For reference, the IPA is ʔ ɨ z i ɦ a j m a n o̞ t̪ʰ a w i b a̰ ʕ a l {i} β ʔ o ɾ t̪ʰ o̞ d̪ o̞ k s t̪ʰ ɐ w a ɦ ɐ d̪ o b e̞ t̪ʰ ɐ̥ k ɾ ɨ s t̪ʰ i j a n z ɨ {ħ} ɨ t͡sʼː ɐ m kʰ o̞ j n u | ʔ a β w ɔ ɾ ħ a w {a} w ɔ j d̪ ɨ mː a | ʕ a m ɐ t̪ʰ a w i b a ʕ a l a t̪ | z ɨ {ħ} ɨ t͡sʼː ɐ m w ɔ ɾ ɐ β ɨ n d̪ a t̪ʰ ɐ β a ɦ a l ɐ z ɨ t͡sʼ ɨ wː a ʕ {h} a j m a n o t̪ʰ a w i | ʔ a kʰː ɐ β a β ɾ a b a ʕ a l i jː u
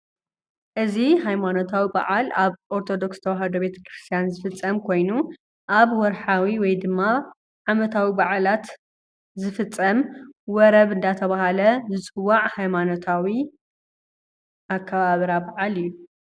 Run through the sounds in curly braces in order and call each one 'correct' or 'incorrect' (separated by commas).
incorrect, incorrect, incorrect, incorrect, correct